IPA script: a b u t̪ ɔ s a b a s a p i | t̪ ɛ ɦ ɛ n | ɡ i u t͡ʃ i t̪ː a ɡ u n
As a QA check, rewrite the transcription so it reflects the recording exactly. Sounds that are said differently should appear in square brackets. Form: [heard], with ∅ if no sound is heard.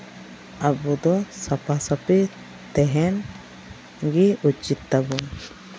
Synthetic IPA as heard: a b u [d̪] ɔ s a [p] a s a p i | t̪ ɛ ɦ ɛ n | ɡ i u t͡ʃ i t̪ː a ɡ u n